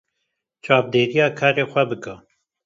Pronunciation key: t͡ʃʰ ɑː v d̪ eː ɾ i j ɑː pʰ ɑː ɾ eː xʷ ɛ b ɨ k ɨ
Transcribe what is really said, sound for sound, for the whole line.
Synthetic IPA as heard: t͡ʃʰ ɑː v d̪ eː ɾ i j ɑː kʰ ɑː ɾ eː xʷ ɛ b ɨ k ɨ